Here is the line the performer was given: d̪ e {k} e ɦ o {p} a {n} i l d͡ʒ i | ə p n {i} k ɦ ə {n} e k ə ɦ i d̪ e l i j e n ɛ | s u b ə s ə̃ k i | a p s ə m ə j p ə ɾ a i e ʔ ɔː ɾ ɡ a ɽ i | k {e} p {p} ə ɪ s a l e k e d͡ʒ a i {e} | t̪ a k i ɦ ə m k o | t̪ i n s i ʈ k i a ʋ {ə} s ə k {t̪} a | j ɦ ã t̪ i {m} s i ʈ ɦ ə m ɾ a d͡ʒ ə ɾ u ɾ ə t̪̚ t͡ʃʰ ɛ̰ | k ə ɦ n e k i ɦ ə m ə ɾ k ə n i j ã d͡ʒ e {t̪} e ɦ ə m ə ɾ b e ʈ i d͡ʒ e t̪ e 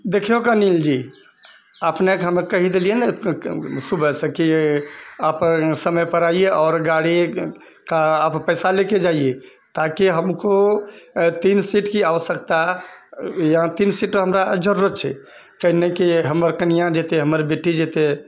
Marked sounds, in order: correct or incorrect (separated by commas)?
incorrect, incorrect, correct, incorrect, incorrect, incorrect, correct, correct, correct, correct, incorrect, correct